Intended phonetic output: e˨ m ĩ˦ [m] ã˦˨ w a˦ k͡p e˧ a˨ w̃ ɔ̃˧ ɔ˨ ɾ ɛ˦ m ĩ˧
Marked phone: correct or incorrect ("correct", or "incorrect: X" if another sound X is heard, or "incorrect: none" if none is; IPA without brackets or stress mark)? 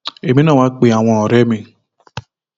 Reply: incorrect: n